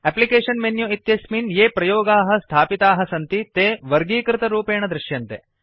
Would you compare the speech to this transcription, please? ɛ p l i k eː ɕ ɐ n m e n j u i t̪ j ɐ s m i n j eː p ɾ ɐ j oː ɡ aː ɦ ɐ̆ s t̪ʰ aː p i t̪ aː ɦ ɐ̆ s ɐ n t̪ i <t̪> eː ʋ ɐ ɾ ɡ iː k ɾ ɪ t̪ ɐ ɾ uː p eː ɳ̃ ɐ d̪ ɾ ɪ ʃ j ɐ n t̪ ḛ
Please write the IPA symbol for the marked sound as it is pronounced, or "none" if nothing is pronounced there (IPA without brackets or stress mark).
t̪